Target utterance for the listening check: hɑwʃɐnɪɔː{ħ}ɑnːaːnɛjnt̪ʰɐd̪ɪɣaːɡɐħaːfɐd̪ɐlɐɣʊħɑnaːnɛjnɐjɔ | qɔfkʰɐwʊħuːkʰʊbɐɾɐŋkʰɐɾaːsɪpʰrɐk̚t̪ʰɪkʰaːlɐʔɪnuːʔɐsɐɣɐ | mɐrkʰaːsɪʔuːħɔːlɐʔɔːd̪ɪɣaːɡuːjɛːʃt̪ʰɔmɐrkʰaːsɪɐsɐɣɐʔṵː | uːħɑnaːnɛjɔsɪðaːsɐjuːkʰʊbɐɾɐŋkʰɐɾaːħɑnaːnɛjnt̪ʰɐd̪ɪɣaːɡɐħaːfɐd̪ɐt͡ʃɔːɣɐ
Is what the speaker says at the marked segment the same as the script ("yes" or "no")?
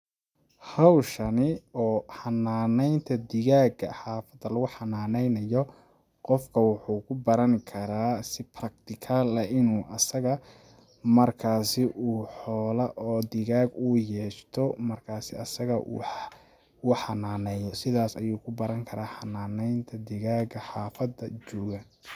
yes